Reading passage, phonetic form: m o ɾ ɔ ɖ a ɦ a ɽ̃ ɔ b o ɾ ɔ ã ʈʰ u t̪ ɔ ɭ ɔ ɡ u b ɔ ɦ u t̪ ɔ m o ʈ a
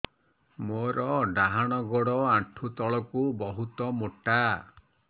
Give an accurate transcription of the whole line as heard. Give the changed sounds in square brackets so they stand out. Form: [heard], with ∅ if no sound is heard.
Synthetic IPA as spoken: m o ɾ ɔ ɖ a ɦ a ɽ̃ ɔ [ɡ] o [ɽ] ɔ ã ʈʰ u t̪ ɔ ɭ ɔ [k] u b ɔ ɦ u t̪ ɔ m o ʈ a